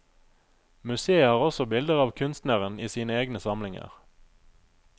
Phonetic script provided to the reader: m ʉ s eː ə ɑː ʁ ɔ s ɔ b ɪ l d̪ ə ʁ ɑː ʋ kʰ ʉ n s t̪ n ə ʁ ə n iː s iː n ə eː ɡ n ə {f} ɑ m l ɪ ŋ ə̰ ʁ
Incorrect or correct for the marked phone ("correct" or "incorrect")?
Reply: incorrect